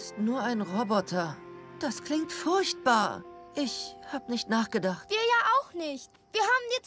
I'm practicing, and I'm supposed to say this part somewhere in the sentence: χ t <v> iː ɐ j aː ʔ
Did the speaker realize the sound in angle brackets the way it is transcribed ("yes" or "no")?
yes